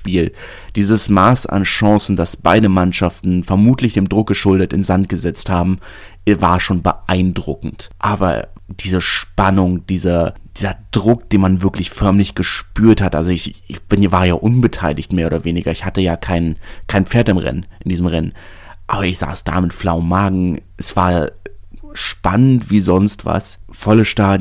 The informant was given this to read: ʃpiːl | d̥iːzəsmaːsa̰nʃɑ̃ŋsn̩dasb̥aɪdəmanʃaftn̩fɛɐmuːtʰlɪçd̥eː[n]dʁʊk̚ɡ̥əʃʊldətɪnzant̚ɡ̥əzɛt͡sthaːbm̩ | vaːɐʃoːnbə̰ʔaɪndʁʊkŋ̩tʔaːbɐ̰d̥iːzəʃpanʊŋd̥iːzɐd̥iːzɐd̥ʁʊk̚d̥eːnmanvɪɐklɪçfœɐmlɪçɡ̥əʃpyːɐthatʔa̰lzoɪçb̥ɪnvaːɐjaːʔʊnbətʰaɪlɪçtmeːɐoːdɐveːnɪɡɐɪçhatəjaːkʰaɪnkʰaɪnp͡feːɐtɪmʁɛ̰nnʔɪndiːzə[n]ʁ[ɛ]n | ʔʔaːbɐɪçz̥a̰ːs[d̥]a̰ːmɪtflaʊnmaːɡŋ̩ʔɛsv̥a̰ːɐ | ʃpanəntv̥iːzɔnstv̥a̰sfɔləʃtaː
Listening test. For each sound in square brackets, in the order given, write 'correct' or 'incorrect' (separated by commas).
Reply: incorrect, incorrect, correct, correct